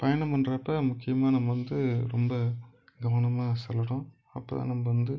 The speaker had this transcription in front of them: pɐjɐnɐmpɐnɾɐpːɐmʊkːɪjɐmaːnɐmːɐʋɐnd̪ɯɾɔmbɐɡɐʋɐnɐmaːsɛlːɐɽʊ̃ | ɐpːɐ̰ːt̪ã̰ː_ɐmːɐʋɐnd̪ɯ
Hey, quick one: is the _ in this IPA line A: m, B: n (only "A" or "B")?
B